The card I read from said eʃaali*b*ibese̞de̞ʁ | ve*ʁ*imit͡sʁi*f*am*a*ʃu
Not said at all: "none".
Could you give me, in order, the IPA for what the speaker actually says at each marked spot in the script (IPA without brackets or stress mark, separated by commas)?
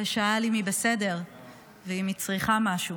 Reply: m, none, χ, a